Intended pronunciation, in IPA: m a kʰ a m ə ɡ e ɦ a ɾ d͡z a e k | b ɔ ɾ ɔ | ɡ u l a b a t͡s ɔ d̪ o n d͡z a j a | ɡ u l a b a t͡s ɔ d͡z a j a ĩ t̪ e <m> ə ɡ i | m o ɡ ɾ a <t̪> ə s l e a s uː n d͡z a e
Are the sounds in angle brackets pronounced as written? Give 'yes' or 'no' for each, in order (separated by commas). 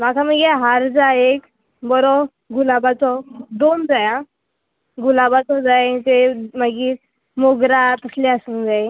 yes, yes